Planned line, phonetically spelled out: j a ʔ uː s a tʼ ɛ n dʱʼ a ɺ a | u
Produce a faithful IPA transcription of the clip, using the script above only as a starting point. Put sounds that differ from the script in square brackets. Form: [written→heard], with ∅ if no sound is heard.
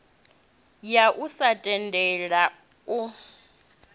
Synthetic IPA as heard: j a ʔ [uː→u] s a tʼ ɛ n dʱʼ [a→ɛ] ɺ a | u

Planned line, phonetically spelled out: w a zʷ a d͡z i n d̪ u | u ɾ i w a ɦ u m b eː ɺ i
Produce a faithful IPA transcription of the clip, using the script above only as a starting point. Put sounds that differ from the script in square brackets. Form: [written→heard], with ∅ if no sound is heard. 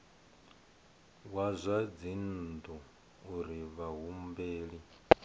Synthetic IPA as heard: w a zʷ a d͡z i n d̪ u | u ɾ i [w→β] a ɦ u m b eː ɺ i

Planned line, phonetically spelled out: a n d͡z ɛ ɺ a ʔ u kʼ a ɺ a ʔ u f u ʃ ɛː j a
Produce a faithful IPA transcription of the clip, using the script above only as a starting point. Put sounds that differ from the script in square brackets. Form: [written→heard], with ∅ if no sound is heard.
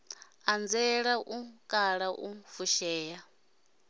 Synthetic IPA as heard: a n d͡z ɛ ɺ a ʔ u kʼ a ɺ a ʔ u f u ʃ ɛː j a

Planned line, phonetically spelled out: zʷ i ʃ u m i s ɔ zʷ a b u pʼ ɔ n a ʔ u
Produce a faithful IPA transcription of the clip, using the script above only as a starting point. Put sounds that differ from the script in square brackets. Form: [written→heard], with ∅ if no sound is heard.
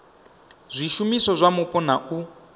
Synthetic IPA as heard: zʷ i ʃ u m i s ɔ zʷ a [b→m] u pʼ ɔ n a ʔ u

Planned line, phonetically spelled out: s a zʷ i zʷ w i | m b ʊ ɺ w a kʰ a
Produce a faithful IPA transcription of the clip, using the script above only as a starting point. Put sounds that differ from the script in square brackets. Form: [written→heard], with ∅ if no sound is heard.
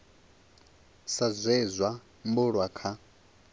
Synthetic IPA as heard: s a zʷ [i→ɛ] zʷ w [i→a] | m b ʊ ɺ w a kʰ a

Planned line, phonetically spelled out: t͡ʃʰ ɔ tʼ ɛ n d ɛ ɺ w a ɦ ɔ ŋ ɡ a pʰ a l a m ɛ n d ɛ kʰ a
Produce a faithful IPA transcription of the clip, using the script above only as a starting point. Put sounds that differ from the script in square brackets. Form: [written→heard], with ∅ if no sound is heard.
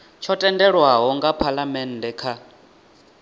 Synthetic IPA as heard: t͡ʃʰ ɔ tʼ ɛ n d ɛ ɺ w a ɦ ɔ ŋ ɡ a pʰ a l a m ɛ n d ɛ kʰ a

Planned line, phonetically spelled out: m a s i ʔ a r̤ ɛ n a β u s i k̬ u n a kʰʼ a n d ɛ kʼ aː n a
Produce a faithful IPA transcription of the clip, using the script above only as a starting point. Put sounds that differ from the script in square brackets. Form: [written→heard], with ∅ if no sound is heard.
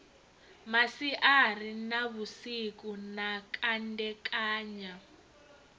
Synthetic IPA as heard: m a s i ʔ a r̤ [ɛ→i] n a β u s i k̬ u n a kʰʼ a n d ɛ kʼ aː [n→ɲ] a

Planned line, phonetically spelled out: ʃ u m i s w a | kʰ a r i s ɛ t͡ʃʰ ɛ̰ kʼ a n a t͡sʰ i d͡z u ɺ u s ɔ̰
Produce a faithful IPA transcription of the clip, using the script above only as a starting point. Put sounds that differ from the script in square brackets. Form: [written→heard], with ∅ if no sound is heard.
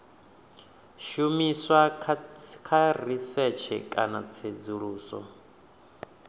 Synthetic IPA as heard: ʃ u m i s w a | kʰ a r i s ɛ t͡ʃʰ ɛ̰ kʼ a n a t͡sʰ [i→e] d͡z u ɺ [u→uː] s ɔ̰

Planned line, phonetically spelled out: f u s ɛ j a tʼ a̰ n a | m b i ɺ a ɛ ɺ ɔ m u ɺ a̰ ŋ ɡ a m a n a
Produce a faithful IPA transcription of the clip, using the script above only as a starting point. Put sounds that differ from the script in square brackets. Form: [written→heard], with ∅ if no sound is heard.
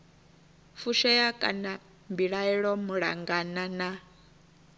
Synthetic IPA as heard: f u [s→ʃ] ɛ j a [tʼ→kʼ] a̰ n a | m b i ɺ a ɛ ɺ ɔ m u ɺ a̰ ŋ ɡ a [m→n] a n a

